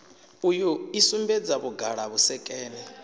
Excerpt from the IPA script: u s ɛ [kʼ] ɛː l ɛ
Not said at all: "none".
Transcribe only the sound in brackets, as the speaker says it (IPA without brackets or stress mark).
kʼ